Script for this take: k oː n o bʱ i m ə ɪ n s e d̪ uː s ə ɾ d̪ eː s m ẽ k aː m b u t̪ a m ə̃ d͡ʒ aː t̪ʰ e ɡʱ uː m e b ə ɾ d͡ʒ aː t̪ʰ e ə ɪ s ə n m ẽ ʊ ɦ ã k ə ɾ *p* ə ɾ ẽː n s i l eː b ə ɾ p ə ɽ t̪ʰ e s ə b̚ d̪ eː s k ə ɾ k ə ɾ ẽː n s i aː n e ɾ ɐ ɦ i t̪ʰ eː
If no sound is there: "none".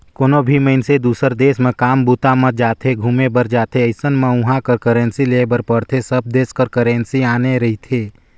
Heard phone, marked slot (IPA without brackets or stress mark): k